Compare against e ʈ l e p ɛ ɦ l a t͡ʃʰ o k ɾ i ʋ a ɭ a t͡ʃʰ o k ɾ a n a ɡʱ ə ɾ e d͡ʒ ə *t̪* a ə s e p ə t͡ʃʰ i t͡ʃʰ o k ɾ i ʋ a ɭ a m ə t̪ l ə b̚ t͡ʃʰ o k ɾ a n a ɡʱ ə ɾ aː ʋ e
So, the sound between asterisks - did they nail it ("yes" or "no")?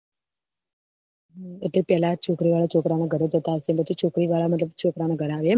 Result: yes